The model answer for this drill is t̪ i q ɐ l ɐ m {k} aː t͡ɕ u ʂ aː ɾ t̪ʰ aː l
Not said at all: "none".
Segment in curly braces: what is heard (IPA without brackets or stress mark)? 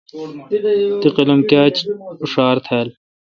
k